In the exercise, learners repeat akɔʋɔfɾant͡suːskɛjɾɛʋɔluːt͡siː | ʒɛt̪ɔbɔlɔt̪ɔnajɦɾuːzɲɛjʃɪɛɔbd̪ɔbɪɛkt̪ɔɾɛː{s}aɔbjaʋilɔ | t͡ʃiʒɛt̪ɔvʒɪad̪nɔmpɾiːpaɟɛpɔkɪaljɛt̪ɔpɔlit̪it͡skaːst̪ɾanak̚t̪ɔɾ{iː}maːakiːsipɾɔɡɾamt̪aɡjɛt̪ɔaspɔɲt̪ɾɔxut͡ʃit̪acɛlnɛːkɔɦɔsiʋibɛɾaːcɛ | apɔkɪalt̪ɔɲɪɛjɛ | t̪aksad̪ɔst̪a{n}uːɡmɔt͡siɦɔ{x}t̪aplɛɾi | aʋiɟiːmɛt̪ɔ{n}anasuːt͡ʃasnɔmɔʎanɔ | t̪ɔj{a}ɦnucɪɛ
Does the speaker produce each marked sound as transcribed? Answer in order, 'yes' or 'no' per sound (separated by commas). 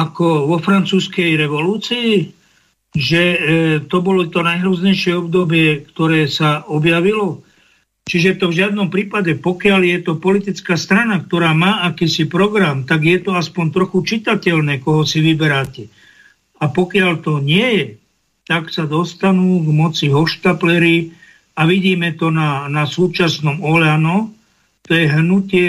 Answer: yes, no, yes, no, yes, no